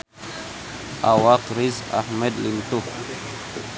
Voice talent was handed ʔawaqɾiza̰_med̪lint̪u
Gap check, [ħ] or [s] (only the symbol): ħ